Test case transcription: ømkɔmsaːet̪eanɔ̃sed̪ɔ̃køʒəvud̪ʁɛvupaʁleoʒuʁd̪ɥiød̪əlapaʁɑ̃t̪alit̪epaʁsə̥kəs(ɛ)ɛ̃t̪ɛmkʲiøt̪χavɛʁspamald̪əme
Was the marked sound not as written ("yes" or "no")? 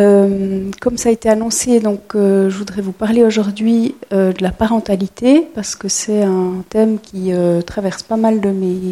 no